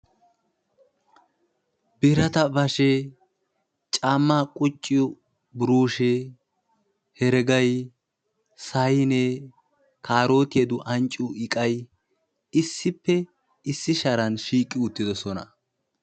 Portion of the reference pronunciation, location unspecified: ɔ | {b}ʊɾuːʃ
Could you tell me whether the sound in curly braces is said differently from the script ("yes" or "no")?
no